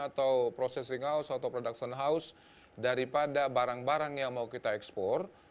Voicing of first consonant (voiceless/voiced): voiceless